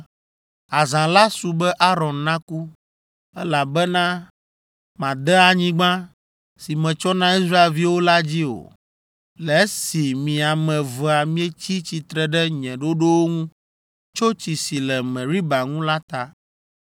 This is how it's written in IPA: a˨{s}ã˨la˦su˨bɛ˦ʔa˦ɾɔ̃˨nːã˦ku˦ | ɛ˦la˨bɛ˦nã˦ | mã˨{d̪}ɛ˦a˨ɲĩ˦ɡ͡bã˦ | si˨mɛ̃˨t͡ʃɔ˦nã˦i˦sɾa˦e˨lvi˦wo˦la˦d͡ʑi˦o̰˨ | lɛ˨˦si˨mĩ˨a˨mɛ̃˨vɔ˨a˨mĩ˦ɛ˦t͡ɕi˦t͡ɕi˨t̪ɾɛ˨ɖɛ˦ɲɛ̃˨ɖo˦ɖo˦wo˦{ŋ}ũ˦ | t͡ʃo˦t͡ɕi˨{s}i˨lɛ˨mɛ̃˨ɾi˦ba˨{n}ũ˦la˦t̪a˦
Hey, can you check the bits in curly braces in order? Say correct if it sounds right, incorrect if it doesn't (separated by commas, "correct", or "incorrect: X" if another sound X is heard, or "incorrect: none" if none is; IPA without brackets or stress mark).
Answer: incorrect: z, correct, correct, correct, incorrect: ŋ